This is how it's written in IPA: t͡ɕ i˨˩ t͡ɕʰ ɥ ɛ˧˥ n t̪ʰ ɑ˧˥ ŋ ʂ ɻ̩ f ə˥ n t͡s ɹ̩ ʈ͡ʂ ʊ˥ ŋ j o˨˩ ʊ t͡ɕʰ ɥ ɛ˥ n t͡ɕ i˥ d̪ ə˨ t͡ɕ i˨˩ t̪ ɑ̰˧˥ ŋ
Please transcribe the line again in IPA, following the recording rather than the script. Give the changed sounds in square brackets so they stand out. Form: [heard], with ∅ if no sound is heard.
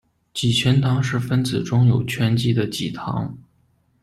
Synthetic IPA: t͡ɕ i˨˩ t͡ɕʰ ɥ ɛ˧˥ n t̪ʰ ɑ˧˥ ŋ ʂ ɻ̩ f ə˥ n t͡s ɹ̩ ʈ͡ʂ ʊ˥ ŋ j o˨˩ ʊ t͡ɕʰ ɥ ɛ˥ n t͡ɕ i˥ d̪ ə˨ t͡ɕ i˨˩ [t̪ʰ] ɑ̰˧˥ ŋ